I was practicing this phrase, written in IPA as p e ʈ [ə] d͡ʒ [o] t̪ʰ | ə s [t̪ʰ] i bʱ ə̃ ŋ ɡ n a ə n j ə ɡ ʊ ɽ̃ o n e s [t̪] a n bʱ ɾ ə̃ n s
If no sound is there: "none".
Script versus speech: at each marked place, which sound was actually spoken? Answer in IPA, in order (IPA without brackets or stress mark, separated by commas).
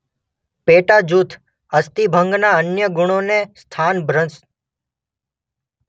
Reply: a, u, t̪, t̪ʰ